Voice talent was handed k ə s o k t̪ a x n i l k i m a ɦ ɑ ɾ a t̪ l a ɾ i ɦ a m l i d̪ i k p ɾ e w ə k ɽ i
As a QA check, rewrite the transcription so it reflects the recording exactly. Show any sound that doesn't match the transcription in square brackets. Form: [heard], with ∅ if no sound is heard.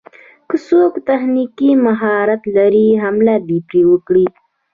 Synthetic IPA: k ə s o k t̪ a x n i [∅] k i m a ɦ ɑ ɾ a t̪ l a ɾ i ɦ a m l [a] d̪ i [∅] p ɾ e w ə k ɽ i